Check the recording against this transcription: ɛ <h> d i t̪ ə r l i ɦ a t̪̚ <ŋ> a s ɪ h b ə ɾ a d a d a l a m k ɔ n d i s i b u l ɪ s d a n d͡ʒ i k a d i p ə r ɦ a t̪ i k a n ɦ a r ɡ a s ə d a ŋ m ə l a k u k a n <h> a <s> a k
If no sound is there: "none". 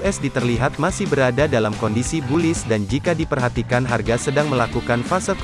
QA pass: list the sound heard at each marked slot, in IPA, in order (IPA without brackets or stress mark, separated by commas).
s, m, f, s